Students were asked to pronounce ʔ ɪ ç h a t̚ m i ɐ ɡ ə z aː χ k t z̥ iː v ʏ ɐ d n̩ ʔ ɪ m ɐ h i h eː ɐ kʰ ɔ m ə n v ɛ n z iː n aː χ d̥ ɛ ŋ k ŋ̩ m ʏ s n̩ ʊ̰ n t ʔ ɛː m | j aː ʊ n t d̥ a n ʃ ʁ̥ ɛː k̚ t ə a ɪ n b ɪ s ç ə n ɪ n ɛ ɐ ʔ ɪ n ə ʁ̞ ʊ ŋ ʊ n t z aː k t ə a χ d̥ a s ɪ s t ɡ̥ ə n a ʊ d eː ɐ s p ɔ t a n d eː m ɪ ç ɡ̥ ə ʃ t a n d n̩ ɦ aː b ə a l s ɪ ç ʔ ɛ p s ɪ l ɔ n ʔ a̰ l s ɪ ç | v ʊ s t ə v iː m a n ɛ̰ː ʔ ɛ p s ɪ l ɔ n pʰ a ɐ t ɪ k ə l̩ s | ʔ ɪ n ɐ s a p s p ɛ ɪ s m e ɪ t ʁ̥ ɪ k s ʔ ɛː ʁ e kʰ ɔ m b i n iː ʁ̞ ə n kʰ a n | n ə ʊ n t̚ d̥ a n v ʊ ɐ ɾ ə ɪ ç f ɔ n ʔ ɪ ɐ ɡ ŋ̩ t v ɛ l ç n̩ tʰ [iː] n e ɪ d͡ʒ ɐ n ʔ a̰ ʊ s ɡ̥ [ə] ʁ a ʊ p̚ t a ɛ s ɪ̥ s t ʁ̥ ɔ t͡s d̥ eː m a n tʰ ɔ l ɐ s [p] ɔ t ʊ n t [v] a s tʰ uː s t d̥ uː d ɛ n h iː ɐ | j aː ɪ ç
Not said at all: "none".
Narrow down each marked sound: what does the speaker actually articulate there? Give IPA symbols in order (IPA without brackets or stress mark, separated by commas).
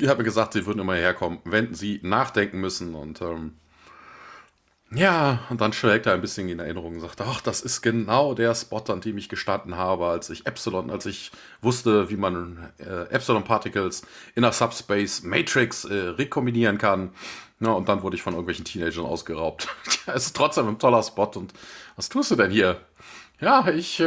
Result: iː, ə, p, v